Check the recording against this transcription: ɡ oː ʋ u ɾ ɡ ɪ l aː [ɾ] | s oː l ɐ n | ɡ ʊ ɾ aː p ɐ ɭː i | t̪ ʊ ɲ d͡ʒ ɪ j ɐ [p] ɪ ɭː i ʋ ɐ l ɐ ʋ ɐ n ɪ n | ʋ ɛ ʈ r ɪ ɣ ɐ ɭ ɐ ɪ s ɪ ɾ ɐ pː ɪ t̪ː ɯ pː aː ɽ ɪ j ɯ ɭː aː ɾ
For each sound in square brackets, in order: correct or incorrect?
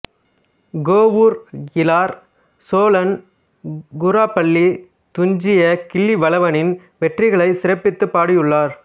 correct, incorrect: k

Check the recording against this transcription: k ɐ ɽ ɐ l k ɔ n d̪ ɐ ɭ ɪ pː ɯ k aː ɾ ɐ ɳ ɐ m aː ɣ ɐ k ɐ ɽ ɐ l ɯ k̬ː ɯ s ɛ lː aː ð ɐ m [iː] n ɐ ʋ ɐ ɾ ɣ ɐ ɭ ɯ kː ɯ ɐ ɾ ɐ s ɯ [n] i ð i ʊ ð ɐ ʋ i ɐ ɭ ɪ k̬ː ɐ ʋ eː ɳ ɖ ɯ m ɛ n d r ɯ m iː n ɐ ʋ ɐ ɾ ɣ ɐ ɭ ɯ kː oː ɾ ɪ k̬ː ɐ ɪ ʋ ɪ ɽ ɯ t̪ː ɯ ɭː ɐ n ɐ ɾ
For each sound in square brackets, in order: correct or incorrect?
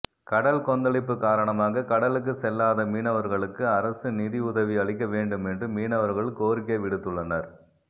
correct, correct

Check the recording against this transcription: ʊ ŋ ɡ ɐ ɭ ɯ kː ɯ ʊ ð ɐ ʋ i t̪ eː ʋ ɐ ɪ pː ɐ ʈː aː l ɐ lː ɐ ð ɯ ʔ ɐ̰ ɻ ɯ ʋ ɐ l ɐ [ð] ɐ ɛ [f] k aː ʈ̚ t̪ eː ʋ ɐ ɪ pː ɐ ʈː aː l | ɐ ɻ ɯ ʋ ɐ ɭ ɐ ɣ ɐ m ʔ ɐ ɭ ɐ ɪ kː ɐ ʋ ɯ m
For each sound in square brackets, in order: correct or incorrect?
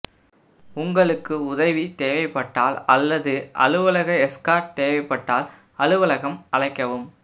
incorrect: ɣ, incorrect: s

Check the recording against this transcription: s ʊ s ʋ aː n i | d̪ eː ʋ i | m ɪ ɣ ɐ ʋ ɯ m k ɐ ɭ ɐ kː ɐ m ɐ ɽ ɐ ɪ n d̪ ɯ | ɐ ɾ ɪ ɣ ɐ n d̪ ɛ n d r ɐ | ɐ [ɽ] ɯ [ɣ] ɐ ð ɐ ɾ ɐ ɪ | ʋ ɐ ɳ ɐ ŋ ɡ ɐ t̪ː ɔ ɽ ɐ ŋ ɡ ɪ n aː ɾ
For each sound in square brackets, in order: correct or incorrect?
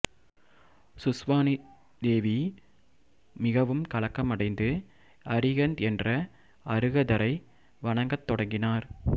incorrect: ɾ, correct

